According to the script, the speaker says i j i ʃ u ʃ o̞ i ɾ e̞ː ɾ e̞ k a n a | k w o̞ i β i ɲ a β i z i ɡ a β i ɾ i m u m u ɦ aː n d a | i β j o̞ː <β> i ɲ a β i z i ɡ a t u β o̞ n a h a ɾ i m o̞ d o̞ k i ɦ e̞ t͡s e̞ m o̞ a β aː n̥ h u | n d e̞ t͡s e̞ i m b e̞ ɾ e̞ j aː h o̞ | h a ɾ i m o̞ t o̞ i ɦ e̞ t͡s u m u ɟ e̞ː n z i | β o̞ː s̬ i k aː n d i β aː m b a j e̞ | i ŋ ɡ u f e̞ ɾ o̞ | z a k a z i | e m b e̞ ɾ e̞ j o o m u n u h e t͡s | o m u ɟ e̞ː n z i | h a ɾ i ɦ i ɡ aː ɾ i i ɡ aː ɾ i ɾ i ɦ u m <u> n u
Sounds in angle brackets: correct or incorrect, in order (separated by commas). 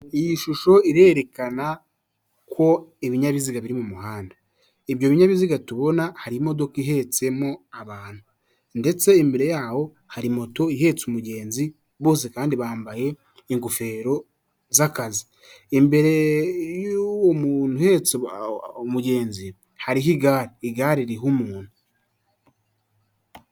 correct, incorrect